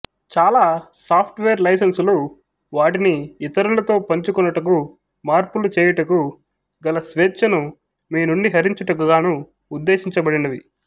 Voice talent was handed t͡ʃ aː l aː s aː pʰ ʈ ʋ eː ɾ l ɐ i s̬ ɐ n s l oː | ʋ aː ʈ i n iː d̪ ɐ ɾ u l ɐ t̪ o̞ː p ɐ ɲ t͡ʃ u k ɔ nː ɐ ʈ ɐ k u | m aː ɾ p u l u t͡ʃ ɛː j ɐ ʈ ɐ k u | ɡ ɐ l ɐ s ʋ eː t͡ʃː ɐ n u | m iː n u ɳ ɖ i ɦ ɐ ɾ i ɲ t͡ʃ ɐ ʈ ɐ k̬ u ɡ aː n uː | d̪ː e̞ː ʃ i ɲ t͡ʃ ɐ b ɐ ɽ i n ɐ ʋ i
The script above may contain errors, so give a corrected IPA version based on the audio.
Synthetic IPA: t͡ʃ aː l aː s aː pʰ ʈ ʋ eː ɾ l ɐ j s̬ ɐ n s l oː | ʋ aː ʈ i n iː t̪ ɐ ɾ u l ɐ t̪ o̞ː p ɐ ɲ t͡ʃ u k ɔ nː ɐ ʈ ɐ k u | m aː ɾ p u l u t͡ʃ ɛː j ɐ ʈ ɐ k u | ɡ ɐ l ɐ s ʋ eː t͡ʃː ɐ n u | m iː n u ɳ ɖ i ɦ ɐ ɾ i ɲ t͡ʃ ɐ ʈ ɐ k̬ u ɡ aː n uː | d̪ː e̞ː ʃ i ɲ t͡ʃ ɐ b ɐ ɽ i n ɐ ʋ i

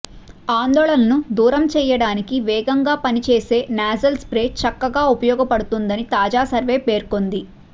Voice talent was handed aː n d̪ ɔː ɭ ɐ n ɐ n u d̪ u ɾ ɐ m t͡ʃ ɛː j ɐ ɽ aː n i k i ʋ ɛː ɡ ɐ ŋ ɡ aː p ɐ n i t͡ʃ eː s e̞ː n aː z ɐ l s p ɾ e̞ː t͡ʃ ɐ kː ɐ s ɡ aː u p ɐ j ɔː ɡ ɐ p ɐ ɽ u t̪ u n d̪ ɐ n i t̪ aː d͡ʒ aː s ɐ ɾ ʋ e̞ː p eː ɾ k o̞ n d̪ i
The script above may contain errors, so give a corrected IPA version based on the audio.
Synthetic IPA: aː n d̪ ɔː ɭ ɐ n ɐ n u d̪ uː ɾ ɐ m t͡ʃ ɛː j ɐ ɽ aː n i k i ʋ ɛː ɡ ɐ ŋ ɡ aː p ɐ n i t͡ʃ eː s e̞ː n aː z ɐ l s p ɾ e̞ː t͡ʃ ɐ kː ɐ ɡ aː u p ɐ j ɔː ɡ ɐ p ɐ ɽ u t̪ u n d̪ ɐ n i t̪ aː d͡ʒ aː s ɐ ɾ ʋ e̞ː p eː ɾ k o̞ n d̪ i

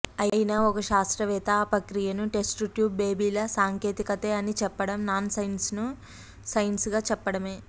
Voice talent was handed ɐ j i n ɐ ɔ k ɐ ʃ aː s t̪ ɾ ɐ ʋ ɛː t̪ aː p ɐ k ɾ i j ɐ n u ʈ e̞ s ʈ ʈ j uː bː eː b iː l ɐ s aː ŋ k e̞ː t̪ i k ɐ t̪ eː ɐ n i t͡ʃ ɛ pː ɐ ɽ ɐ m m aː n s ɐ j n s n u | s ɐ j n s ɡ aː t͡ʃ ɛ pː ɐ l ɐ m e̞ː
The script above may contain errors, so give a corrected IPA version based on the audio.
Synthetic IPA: ɐ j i n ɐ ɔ k ɐ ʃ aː s t̪ ɾ ɐ ʋ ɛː t̪ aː p ɐ k ɾ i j ɐ n u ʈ e̞ s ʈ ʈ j uː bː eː b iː l ɐ s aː ŋ k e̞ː t̪ i k ɐ t̪ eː ɐ n i t͡ʃ ɛ pː ɐ ɽ ɐ m n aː n s ɐ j n s n u | s ɐ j n s ɡ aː t͡ʃ ɛ pː ɐ ɽ ɐ m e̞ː

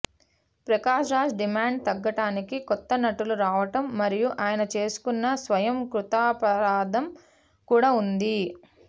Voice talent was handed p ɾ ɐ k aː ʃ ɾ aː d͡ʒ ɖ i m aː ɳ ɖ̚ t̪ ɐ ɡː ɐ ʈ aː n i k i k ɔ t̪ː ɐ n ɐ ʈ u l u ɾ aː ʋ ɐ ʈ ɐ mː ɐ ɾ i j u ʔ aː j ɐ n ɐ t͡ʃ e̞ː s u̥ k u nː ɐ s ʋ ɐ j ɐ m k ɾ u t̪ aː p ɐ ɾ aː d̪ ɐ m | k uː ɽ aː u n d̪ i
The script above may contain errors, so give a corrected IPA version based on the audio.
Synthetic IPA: p ɾ ɐ k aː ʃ ɾ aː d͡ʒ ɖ i m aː ɳ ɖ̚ t̪ ɐ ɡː ɐ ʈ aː n i k i k ɔ t̪ː ɐ n ɐ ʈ u l u ɾ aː ʋ ɐ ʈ ɐ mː ɐ ɾ i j u ʔ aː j ɐ n ɐ t͡ʃ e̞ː s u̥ k u nː ɐ s ʋ ɐ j ɐ m k ɾ u t̪ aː p ɐ ɾ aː d̪ ɐ m | k uː ɽ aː u n d̪ i

